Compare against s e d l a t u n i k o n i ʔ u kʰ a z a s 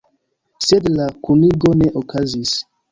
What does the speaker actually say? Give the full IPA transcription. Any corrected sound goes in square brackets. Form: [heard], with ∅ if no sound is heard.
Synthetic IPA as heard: s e d l a [k] u n i [ɡ] o n [e] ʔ [o] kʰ a z [i] s